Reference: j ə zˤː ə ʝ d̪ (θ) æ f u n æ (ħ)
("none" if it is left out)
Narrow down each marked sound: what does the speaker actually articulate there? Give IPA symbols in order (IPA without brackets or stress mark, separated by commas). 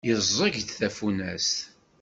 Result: θ, s